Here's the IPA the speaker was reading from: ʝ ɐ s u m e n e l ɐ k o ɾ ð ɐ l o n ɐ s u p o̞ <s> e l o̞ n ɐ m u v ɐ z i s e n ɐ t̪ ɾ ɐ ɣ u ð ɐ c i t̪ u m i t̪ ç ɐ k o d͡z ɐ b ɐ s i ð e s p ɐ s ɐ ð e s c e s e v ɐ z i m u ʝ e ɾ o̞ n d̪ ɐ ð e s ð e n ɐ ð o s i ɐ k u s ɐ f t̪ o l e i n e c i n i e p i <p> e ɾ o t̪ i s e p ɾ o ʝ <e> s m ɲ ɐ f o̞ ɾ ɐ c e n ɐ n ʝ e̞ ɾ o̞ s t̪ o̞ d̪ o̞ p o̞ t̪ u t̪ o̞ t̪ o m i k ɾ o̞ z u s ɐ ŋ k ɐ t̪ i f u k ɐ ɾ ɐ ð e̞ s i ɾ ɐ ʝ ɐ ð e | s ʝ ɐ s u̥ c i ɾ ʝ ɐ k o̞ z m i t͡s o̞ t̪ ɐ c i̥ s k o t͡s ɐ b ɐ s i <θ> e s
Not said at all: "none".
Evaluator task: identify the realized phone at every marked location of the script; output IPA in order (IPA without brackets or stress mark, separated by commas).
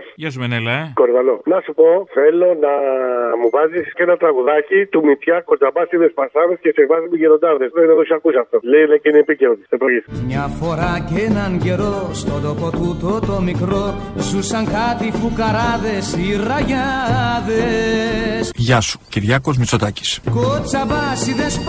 θ, c, i, ð